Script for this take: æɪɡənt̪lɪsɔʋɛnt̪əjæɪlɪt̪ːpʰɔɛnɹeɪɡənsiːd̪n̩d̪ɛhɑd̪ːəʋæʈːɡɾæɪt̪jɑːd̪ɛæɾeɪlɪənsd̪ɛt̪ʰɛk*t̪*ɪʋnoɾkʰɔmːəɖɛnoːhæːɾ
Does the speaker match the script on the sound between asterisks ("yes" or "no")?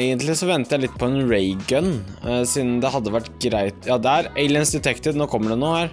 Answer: yes